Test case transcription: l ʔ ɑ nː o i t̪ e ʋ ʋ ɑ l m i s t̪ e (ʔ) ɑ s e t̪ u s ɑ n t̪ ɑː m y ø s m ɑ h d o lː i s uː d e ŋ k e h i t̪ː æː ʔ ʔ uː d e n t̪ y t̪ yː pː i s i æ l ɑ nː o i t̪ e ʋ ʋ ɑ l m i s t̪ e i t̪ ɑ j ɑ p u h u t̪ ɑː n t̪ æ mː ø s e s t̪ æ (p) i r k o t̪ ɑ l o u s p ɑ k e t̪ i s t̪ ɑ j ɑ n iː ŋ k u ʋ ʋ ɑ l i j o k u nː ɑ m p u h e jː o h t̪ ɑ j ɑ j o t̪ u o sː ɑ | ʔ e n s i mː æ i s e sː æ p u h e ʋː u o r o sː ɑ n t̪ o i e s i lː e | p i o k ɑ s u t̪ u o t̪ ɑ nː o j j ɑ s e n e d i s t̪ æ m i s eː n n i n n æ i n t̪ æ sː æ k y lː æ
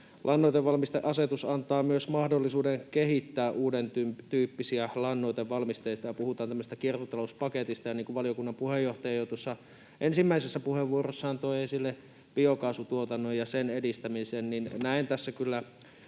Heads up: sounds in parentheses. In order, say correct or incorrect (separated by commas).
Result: correct, incorrect